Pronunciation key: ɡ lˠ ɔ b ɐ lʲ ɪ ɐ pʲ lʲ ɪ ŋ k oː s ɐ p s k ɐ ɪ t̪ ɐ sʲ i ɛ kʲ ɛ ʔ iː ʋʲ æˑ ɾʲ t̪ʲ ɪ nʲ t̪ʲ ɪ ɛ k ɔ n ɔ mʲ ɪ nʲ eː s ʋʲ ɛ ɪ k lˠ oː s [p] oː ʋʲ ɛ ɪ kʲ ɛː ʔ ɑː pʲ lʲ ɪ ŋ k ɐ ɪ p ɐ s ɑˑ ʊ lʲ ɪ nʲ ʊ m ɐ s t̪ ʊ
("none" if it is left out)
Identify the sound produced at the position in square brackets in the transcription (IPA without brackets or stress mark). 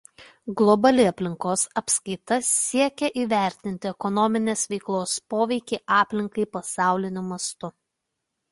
p